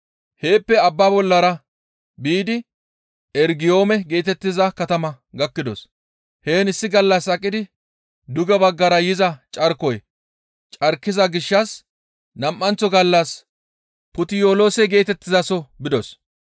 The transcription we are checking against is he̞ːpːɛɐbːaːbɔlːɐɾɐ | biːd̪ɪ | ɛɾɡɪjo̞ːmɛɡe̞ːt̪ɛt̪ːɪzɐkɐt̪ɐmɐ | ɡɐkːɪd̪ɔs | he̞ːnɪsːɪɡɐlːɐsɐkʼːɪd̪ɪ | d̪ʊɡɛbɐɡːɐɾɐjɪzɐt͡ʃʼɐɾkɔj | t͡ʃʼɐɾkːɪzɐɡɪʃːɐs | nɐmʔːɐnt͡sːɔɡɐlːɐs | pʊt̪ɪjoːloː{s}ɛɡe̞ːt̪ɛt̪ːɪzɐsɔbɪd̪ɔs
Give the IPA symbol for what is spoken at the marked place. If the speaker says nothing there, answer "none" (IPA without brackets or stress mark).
s